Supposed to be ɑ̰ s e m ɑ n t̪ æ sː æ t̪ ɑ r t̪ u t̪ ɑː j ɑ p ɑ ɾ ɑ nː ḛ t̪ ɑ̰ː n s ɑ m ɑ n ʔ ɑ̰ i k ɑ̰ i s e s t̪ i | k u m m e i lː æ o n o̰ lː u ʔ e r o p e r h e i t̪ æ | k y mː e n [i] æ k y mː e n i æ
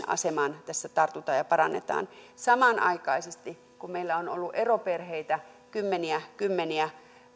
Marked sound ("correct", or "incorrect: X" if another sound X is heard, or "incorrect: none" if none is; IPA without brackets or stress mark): correct